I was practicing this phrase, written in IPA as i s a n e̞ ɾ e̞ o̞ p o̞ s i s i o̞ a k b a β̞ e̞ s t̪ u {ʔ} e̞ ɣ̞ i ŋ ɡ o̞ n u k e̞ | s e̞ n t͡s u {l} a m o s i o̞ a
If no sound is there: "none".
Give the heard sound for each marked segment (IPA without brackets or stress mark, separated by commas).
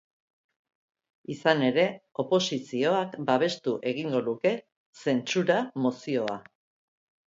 ʔ, ɾ